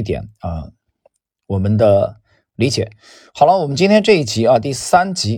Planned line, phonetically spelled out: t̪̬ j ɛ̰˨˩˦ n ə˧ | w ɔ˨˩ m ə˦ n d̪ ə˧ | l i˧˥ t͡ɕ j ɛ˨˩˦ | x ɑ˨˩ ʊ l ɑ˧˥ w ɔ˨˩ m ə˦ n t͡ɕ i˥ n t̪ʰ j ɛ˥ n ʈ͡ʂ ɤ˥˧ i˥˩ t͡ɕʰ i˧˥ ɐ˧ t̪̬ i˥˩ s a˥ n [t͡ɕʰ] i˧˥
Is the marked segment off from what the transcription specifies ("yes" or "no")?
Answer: yes